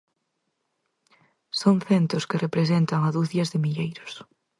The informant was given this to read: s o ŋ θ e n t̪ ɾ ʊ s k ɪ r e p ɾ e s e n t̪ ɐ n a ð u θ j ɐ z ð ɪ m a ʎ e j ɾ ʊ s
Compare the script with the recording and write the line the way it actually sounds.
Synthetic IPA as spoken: s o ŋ θ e n t̪ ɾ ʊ s k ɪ r e p ɾ e s e n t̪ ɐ ŋ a ð u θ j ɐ z ð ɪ m i ʎ e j ɾ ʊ s